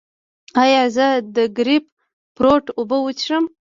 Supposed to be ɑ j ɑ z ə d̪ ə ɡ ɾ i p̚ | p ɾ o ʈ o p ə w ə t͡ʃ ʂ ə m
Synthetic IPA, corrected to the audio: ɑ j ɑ z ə d̪ ə ɡ ɾ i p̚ | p ɾ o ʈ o b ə w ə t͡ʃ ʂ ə m